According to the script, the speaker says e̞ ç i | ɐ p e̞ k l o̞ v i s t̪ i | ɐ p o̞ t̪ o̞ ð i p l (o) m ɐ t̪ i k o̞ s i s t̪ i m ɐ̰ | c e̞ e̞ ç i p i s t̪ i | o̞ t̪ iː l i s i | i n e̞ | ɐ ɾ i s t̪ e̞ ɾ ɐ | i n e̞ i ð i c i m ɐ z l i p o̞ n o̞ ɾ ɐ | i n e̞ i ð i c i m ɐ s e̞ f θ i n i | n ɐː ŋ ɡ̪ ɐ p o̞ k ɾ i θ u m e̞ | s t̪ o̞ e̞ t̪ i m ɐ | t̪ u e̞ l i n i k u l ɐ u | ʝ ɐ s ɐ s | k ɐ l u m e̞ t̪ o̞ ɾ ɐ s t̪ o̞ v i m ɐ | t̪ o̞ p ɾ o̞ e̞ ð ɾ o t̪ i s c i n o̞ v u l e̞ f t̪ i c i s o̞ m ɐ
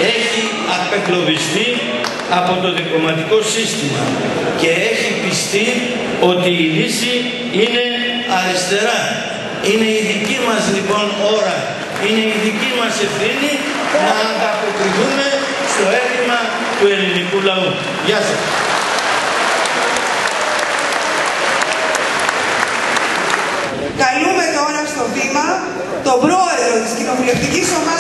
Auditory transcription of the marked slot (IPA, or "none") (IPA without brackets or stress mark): o